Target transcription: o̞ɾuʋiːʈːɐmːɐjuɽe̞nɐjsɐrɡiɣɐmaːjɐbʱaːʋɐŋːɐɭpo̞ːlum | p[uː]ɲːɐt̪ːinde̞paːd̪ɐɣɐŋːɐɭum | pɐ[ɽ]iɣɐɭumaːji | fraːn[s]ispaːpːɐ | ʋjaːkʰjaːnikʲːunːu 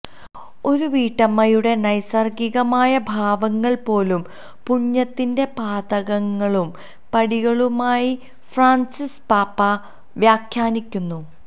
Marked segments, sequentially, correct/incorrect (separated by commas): incorrect, correct, correct